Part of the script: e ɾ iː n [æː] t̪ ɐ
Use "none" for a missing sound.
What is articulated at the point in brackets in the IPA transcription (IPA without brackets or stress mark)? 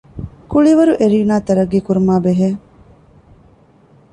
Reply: aː